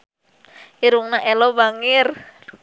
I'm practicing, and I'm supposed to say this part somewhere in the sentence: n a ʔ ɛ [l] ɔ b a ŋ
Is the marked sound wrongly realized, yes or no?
no